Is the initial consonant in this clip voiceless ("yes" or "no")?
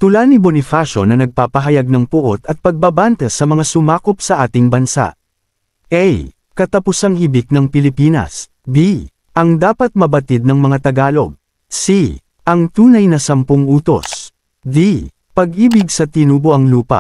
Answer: yes